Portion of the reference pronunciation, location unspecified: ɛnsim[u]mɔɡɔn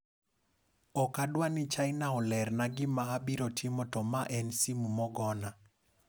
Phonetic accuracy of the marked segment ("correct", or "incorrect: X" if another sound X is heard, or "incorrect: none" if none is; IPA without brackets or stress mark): correct